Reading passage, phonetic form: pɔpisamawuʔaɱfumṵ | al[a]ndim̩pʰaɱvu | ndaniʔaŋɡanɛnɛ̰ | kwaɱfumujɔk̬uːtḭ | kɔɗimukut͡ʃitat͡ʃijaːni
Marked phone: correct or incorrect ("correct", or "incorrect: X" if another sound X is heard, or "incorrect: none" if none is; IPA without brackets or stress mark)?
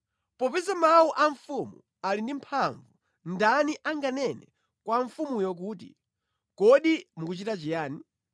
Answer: incorrect: i